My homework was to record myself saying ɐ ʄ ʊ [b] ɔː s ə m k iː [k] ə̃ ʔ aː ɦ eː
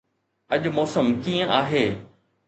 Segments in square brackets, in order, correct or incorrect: incorrect, incorrect

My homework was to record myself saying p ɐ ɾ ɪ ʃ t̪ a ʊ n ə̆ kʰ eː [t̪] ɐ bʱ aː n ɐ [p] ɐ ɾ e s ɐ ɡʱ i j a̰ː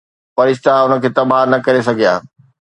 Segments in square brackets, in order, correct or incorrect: correct, incorrect

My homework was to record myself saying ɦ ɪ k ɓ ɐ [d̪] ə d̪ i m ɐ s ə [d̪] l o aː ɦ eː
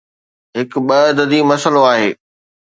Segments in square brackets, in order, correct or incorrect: correct, incorrect

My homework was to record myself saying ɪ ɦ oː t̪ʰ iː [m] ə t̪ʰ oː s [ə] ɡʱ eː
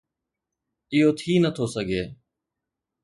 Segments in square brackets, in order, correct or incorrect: incorrect, correct

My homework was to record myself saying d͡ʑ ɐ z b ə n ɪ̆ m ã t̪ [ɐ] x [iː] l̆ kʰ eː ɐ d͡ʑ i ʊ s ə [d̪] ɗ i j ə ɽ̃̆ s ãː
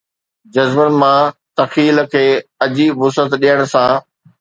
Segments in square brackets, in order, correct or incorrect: correct, correct, incorrect

